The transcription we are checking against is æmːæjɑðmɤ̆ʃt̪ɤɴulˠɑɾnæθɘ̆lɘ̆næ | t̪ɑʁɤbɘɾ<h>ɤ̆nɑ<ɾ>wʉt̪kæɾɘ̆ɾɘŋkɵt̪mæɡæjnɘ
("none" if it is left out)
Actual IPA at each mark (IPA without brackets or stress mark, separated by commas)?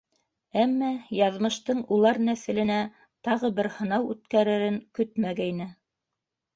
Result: h, none